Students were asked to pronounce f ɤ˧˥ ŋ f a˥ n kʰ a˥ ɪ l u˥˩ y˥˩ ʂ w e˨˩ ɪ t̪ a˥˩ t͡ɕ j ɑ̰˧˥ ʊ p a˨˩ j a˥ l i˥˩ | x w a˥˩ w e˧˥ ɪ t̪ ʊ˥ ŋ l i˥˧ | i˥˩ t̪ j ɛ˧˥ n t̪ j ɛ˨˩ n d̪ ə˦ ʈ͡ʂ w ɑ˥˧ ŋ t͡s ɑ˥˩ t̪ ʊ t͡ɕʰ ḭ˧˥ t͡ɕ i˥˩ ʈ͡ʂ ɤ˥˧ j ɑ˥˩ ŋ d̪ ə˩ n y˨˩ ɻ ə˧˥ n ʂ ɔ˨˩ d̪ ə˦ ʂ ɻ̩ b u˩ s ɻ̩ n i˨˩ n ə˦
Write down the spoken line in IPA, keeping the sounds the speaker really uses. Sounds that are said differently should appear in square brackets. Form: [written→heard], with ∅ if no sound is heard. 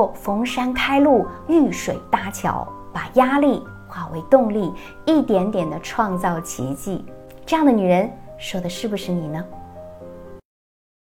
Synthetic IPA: f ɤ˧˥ ŋ [f→ʂ] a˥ n kʰ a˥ ɪ l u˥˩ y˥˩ ʂ w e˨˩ ɪ t̪ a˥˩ [t͡ɕ→t͡ɕʰ] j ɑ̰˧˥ ʊ p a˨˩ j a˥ l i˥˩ | x w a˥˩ w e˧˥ ɪ t̪ [ʊ˥→ʊ˥˧] ŋ l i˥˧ | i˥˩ t̪ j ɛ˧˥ n t̪ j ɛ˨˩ n d̪ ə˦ [ʈ͡ʂ→ʈ͡ʂʰ] w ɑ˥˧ ŋ t͡s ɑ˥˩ [t̪→∅] ʊ t͡ɕʰ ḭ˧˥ t͡ɕ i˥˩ ʈ͡ʂ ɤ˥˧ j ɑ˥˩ ŋ d̪ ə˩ n y˨˩ ɻ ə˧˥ n ʂ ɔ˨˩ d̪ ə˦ ʂ ɻ̩ b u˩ [s→ʂ] ɻ̩ n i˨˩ n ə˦